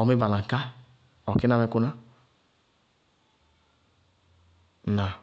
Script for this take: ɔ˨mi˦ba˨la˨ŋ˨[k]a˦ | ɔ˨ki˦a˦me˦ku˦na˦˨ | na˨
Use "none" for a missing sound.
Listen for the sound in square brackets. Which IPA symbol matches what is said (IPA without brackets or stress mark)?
k